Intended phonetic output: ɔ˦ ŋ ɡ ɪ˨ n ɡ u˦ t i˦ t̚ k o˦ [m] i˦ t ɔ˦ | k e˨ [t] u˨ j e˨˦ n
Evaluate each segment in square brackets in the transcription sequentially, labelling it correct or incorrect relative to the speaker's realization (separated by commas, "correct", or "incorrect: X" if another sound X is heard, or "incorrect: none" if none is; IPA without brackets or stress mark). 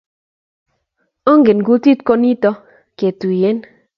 incorrect: n, correct